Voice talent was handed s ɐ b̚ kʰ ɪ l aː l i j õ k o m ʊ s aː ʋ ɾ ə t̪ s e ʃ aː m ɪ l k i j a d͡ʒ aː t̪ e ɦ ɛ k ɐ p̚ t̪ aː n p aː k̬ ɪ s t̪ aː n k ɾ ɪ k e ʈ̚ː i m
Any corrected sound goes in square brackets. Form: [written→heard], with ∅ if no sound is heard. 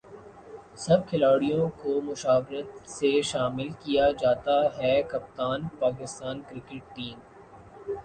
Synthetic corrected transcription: s ɐ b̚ kʰ ɪ l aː [l→ɽ] i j õ k o m ʊ [s→ʃ] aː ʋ ɾ ə t̪ s e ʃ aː m ɪ l k i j a d͡ʒ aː t̪ [e→a] ɦ ɛ k ɐ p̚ t̪ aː n p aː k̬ ɪ s t̪ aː n k ɾ ɪ k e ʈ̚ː [i→iː] m